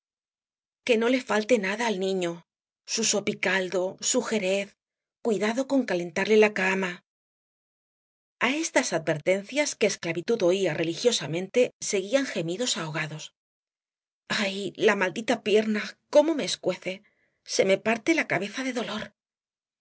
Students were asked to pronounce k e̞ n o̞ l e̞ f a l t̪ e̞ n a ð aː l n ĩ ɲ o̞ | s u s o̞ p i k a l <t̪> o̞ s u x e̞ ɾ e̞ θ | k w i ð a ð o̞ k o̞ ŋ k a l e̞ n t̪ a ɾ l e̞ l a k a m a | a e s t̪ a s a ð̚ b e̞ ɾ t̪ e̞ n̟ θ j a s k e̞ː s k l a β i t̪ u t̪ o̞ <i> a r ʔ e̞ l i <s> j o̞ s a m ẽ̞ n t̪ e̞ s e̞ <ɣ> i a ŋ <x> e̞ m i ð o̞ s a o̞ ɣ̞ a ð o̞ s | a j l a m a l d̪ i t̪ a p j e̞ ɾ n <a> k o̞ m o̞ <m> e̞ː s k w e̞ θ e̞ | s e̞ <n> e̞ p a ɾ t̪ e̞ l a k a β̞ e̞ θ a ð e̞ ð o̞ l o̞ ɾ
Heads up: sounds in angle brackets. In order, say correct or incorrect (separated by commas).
incorrect, correct, incorrect, correct, correct, correct, correct, incorrect